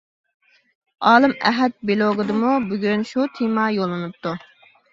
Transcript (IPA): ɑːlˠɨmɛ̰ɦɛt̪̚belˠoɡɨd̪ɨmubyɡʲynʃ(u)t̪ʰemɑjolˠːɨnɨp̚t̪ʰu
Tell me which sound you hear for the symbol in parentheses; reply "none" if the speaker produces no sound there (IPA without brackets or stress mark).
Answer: u